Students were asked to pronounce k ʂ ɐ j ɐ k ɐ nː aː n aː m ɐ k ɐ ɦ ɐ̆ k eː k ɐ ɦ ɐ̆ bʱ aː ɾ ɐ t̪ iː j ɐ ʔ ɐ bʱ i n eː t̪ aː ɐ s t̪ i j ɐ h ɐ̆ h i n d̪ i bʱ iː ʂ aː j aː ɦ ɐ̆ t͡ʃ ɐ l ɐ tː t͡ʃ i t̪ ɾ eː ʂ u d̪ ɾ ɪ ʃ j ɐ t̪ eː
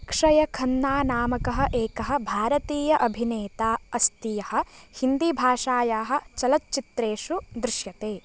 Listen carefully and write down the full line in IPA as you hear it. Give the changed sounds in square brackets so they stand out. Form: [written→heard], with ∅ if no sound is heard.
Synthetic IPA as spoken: k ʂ ɐ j ɐ [k→kʰ] ɐ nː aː n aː m ɐ k ɐ ɦ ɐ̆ [k→ʔ] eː k ɐ ɦ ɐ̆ bʱ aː ɾ ɐ t̪ iː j ɐ ʔ ɐ bʱ i n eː t̪ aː ɐ s t̪ i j ɐ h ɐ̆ h i n d̪ i bʱ [iː→aː] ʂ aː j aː ɦ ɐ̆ t͡ʃ ɐ l ɐ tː t͡ʃ i t̪ ɾ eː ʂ u d̪ ɾ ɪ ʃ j ɐ t̪ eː